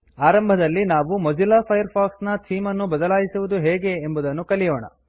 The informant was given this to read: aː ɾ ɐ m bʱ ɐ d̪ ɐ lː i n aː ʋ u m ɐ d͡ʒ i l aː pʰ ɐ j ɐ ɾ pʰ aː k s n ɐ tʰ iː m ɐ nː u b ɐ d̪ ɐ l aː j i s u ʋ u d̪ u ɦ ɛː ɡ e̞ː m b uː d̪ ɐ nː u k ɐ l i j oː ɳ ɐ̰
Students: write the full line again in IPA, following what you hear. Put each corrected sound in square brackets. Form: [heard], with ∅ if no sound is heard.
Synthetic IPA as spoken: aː ɾ ɐ m bʱ ɐ d̪ ɐ lː i n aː ʋ u m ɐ d͡ʒ i l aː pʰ ɐ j ɐ ɾ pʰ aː k s n ɐ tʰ iː m ɐ nː u b ɐ d̪ ɐ l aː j i s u ʋ u d̪ u ɦ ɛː ɡ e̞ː m b [u] d̪ ɐ nː u k ɐ l i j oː ɳ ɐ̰